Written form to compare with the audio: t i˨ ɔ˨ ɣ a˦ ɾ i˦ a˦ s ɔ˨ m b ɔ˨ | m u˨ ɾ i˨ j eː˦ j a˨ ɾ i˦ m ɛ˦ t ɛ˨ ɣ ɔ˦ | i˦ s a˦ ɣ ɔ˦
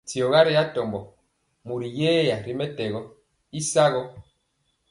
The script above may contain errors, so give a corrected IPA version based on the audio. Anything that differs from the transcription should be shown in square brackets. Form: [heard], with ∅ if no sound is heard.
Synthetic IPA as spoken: t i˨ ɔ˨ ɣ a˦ ɾ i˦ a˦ [t] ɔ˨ m b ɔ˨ | m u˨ ɾ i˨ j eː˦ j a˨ ɾ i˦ m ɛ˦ t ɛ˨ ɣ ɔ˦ | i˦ s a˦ ɣ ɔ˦